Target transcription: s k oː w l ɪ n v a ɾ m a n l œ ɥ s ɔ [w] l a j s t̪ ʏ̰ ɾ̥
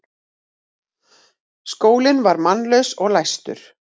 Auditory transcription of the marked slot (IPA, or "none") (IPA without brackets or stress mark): ɣ